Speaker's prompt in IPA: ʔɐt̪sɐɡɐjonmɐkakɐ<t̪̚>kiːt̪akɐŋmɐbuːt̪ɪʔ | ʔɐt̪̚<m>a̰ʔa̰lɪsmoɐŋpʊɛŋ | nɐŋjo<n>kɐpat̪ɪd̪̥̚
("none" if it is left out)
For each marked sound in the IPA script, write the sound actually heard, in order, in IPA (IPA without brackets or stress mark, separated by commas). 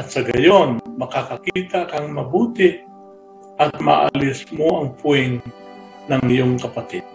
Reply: none, m, ŋ